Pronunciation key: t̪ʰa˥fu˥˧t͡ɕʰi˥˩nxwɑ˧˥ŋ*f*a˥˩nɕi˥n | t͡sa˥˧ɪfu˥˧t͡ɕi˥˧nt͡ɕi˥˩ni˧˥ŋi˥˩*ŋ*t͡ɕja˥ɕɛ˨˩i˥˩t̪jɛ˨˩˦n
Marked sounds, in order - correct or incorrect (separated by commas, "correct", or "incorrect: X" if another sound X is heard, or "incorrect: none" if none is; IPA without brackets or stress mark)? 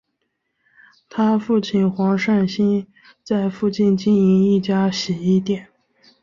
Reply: incorrect: ʂ, incorrect: none